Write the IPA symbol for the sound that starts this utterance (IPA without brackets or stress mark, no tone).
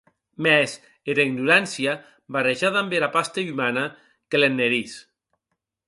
m